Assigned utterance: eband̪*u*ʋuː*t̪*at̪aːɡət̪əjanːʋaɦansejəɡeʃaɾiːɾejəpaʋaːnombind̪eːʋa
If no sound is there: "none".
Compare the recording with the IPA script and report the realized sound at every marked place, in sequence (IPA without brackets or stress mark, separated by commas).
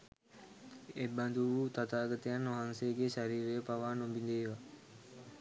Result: u, t̪